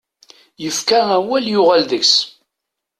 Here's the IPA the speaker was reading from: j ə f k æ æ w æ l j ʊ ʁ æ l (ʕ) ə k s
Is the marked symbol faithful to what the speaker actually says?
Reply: no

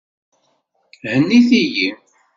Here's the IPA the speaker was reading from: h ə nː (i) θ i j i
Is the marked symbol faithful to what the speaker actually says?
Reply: yes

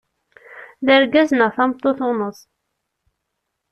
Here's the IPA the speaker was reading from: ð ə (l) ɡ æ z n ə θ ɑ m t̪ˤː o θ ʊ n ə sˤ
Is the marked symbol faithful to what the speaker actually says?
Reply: no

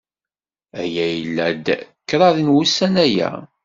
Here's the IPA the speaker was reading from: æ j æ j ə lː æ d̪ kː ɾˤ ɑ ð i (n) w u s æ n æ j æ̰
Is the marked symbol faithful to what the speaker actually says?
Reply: yes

